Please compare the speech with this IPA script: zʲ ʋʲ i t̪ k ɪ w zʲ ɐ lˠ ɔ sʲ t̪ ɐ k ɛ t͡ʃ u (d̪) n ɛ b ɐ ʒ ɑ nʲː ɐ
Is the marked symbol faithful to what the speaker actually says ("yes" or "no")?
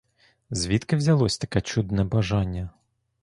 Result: yes